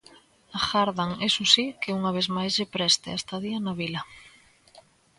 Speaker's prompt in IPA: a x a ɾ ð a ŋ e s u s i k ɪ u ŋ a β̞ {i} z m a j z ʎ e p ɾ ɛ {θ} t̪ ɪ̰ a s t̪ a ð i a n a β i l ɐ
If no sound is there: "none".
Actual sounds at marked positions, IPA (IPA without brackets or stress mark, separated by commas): e, s